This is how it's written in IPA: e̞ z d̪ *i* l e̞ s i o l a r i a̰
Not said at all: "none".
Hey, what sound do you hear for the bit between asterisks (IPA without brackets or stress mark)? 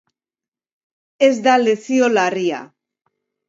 a